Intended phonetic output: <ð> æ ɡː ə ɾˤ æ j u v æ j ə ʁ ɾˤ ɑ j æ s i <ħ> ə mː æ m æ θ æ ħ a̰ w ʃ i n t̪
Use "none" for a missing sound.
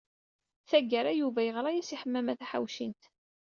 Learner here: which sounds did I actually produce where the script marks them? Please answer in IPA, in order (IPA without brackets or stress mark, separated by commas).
θ, ħ